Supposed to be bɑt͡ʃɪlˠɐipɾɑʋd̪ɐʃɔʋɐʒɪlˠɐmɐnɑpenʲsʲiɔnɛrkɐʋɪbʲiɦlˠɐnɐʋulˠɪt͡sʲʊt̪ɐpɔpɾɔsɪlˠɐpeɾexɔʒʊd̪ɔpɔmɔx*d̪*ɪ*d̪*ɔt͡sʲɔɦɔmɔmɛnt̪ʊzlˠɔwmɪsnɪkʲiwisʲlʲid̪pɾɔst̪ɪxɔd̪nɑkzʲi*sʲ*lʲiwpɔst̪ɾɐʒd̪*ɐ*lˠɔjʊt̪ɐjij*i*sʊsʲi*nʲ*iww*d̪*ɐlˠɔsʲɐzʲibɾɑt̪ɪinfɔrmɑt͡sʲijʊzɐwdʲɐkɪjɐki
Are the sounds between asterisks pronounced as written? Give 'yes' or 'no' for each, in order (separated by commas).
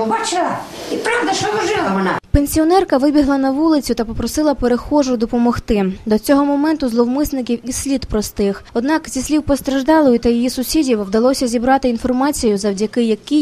no, yes, yes, no, yes, no, yes